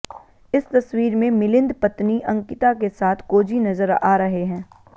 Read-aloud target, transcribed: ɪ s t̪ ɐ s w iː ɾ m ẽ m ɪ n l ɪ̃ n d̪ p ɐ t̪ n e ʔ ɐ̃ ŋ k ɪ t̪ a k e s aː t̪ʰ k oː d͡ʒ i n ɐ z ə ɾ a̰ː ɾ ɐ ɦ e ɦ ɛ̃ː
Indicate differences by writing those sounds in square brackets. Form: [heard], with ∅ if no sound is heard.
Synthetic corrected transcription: ɪ s t̪ ɐ s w iː ɾ m ẽ m ɪ [∅] l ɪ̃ n d̪ p ɐ t̪ n [i] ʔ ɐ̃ ŋ k ɪ t̪ a k e s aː t̪ʰ k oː d͡ʒ i n ɐ z ə ɾ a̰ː ɾ ɐ ɦ e ɦ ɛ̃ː